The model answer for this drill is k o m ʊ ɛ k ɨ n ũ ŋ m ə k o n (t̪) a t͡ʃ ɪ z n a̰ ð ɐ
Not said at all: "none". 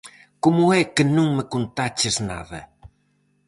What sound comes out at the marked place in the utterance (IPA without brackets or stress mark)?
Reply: t̪